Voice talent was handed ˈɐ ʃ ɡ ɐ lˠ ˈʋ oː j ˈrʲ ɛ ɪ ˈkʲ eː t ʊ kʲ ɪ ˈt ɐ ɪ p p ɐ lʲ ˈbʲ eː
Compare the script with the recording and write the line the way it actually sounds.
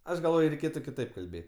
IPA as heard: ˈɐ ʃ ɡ ɐ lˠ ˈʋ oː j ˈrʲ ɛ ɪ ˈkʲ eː t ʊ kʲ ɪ ˈt ɐ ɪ p k ɐ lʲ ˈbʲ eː